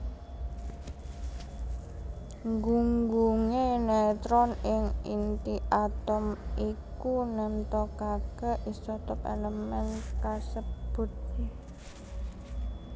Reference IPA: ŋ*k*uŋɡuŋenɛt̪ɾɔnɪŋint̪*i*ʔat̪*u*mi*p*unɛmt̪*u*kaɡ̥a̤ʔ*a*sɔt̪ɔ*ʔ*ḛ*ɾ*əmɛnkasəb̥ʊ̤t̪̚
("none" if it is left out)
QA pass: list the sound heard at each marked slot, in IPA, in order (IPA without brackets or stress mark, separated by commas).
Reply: ɡ, i, ɔ, k, ɔ, i, p, l